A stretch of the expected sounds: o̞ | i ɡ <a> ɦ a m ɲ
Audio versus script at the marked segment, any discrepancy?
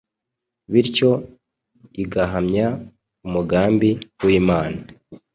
no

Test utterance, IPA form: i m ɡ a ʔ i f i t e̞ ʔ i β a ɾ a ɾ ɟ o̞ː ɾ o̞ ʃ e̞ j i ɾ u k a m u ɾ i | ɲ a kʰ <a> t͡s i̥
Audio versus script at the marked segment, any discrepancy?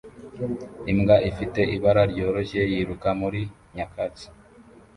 no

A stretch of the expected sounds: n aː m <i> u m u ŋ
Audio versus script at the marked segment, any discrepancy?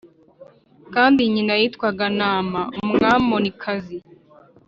yes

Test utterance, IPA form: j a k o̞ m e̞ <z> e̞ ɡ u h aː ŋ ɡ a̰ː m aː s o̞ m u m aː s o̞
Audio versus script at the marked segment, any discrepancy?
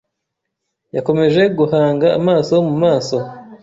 yes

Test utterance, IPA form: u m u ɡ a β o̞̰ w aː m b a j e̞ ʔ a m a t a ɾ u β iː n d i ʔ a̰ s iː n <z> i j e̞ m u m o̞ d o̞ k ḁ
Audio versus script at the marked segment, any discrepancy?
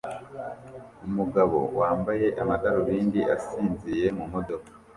no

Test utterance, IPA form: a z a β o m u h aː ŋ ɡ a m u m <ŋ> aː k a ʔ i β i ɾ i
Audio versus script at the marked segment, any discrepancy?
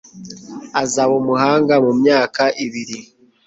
yes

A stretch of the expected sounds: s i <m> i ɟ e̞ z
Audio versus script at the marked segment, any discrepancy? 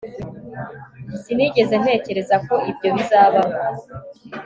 yes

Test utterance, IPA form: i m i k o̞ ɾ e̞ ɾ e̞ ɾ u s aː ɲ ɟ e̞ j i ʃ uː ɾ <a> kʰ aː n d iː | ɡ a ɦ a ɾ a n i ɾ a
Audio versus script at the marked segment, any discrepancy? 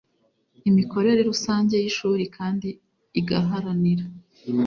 yes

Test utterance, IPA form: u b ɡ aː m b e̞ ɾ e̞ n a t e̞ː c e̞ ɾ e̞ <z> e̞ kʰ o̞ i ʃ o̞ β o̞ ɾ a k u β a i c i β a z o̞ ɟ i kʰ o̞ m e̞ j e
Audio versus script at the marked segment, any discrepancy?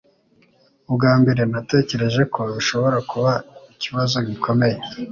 yes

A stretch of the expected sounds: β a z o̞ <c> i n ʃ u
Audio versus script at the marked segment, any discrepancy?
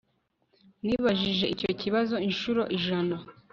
yes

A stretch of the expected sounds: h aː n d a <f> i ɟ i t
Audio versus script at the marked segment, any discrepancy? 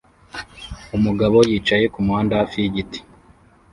no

